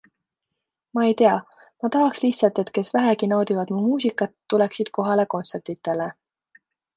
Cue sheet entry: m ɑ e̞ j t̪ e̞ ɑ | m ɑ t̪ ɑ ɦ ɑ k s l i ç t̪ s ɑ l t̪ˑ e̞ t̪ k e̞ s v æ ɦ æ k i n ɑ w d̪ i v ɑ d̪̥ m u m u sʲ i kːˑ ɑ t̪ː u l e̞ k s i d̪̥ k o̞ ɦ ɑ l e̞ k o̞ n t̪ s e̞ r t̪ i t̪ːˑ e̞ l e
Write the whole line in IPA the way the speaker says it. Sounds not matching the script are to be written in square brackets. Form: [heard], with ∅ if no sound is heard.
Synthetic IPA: m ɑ e̞ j t̪ e̞ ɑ | m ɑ t̪ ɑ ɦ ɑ k s l i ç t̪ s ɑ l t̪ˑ e̞ t̪ k e̞ s v æ ɦ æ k i n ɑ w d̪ i v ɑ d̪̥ m u m [uː] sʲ i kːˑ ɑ t̪ː u l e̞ k s i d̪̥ k o̞ ɦ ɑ l e̞ k o̞ n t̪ s e̞ r t̪ i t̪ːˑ e̞ l e

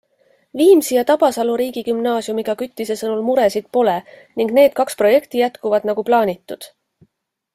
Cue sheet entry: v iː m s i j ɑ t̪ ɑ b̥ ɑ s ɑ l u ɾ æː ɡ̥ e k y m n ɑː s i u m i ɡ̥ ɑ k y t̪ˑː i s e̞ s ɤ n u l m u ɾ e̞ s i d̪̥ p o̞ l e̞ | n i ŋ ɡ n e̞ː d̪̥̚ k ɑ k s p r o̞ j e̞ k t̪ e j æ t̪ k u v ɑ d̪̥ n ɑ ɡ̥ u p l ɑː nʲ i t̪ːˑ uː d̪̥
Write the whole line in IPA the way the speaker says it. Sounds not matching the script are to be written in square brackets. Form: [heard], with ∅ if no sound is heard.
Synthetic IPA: v iː m s i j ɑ t̪ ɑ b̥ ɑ s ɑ l u ɾ [iː] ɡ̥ [i] k y m n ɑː s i u m i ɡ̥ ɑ k y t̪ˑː i s e̞ s ɤ n u l m u ɾ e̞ s i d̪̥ p o̞ l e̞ | n i ŋ ɡ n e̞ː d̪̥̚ k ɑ k s p r o̞ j e̞ k t̪ [i] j æ t̪ k u v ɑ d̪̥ n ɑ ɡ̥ u p l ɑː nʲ i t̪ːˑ [u] d̪̥

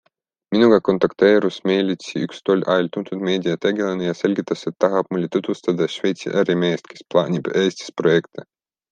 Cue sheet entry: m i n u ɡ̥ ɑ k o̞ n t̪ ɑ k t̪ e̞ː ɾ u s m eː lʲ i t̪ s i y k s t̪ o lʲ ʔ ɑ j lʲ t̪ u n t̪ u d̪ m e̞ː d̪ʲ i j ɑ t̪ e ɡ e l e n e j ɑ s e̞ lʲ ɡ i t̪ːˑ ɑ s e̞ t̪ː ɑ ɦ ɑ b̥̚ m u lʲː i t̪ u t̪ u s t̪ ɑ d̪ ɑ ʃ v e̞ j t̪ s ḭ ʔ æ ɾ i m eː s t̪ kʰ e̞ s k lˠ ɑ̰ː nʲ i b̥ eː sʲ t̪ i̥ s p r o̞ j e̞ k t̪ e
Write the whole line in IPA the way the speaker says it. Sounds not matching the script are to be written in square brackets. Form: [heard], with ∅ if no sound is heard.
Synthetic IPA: m i n u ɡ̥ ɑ k o̞ n t̪ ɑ k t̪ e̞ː ɾ u s m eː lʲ i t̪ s i y k s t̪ o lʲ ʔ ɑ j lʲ t̪ u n t̪ u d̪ m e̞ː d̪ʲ i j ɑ t̪ e ɡ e l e n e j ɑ s e̞ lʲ ɡ i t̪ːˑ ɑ s e̞ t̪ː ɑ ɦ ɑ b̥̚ m u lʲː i t̪ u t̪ u s t̪ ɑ d̪ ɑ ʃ v e̞ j t̪ s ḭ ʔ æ ɾ i m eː s t̪ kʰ e̞ s [p] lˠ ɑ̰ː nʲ i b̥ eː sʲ t̪ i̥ s p r o̞ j e̞ k t̪ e

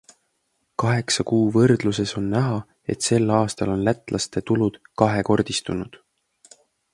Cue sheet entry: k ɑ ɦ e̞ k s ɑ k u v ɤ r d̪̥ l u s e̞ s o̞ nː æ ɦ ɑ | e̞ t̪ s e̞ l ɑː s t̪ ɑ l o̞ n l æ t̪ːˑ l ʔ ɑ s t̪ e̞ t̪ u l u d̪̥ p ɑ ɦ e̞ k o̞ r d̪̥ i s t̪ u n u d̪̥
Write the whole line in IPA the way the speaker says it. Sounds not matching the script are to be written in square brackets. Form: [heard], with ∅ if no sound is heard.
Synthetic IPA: k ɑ ɦ e̞ k s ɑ k [uː] v ɤ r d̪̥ l u s e̞ s o̞ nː æ ɦ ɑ | e̞ t̪ s e̞ l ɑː s t̪ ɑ l o̞ n l æ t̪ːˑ l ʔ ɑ s t̪ e̞ t̪ u l u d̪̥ [k] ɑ ɦ e̞ k o̞ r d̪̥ i s t̪ u n u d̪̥

